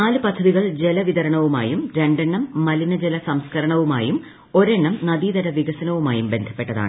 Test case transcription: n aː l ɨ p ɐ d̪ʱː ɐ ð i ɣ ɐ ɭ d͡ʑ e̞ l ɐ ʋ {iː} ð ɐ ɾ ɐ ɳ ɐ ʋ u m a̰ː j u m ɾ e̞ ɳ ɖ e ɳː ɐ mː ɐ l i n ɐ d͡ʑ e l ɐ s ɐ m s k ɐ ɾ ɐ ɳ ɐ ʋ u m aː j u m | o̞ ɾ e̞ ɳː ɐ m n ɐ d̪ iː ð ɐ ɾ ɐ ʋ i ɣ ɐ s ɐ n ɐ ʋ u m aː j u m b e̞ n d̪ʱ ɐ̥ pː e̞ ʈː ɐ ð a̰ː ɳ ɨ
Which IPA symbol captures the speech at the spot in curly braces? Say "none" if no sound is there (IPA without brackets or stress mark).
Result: i